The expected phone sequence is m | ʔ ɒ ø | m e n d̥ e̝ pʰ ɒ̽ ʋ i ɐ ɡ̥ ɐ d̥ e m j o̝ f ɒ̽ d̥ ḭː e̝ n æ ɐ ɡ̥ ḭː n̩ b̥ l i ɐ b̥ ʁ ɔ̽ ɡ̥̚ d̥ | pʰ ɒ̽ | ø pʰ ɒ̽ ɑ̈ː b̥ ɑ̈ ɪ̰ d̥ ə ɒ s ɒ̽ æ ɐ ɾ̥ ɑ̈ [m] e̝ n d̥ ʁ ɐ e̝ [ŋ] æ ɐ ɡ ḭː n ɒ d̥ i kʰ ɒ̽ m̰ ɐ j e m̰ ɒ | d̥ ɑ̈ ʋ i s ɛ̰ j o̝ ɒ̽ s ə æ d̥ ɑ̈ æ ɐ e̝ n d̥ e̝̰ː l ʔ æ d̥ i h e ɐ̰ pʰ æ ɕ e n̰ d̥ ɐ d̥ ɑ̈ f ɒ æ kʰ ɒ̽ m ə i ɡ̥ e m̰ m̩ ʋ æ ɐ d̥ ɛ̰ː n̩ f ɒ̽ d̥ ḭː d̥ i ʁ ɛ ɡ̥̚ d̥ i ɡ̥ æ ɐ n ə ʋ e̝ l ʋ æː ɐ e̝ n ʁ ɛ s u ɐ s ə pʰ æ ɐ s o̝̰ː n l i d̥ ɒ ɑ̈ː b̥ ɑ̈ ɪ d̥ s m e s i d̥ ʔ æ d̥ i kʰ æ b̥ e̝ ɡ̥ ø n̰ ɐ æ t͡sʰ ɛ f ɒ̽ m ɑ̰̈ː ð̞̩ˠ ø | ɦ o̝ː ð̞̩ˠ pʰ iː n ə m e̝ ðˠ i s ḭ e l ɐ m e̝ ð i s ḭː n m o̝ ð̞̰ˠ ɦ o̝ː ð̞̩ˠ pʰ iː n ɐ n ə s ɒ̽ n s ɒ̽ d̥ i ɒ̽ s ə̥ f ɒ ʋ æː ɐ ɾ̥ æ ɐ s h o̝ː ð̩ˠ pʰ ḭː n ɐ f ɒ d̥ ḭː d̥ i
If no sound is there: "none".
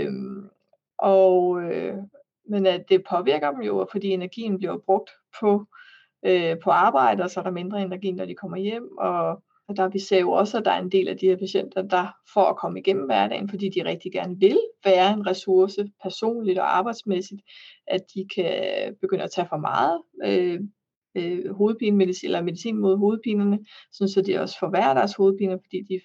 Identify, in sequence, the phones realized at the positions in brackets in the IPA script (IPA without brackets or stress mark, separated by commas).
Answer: m, n